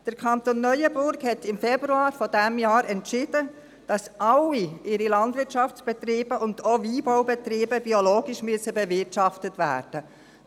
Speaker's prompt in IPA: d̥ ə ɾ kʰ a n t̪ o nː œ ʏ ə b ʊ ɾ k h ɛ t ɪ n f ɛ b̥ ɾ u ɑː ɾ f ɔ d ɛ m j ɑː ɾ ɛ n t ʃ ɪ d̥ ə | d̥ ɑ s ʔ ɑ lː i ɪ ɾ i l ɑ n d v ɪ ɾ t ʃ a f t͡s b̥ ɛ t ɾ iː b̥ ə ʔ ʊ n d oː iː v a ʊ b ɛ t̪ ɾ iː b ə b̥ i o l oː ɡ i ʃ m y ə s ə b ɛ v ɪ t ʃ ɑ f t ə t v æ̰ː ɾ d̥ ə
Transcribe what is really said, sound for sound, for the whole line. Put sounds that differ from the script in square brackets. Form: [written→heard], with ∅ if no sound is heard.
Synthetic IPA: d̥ ə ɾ kʰ [a→ɑ] n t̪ o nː œ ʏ ə b ʊ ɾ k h ɛ t ɪ [n→m] f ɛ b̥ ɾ u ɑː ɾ f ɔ d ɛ m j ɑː ɾ ɛ n t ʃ ɪ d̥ ə | d̥ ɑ s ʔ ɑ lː i ɪ ɾ i l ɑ n d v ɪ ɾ t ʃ [a→ɑ] f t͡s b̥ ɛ t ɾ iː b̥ ə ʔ ʊ n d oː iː [v→b] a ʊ b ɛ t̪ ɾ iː b ə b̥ i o l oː ɡ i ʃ m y ə s ə b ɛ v ɪ t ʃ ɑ f t ə t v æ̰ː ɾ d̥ ə